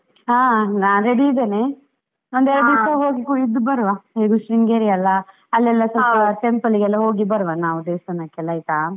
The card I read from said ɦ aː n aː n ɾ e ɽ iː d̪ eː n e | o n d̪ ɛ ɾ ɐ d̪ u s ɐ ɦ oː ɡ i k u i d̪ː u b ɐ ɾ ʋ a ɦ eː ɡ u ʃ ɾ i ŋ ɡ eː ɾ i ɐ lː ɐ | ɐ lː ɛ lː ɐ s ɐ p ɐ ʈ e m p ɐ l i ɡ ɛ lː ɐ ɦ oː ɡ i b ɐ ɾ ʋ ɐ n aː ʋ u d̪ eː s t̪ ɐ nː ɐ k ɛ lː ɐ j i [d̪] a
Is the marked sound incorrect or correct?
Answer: incorrect